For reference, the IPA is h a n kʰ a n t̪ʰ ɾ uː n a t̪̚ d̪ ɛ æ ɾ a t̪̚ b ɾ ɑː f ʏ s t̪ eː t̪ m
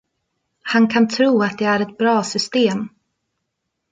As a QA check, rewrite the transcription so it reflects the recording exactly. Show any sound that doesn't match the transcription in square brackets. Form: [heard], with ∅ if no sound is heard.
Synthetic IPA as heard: h a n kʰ a n t̪ʰ ɾ uː [∅] a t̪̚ d̪ ɛ æ ɾ [ɛ] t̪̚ b ɾ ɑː [s] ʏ s t̪ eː [∅] m